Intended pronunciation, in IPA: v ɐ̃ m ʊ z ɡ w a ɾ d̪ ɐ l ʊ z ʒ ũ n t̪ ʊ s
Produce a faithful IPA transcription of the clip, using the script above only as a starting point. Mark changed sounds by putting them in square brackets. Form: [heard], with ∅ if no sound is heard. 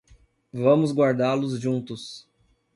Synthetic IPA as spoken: v ɐ̃ m ʊ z ɡ w a ɾ d̪ [a] l ʊ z ʒ ũ n t̪ ʊ s